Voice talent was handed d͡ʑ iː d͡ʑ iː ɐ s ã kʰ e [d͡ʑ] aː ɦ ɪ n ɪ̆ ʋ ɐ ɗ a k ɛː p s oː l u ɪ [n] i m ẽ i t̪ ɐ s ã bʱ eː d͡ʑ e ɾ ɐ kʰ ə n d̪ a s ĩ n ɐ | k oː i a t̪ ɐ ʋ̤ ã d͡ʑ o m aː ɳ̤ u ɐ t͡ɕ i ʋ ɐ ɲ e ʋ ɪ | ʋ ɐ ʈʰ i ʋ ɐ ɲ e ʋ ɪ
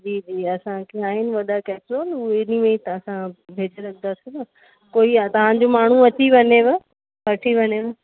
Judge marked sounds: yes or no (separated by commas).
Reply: no, yes